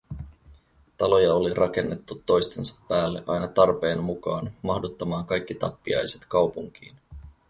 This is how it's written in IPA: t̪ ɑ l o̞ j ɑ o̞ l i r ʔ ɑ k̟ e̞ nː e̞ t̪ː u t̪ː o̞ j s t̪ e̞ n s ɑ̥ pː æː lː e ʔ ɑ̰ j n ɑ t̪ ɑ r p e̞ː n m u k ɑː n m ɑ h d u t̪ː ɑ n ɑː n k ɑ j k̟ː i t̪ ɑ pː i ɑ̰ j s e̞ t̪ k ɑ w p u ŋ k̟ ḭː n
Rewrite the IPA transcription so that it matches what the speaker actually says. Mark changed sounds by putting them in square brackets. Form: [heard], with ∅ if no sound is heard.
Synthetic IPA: t̪ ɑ l o̞ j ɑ o̞ l i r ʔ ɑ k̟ e̞ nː e̞ t̪ː u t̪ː o̞ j s t̪ e̞ n s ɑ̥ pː æː lː e ʔ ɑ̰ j n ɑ t̪ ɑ r p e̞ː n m u k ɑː n m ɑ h d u t̪ː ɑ [m] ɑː [ŋ] k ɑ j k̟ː i t̪ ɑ pː i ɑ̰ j s e̞ t̪ k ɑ w p u ŋ k̟ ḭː n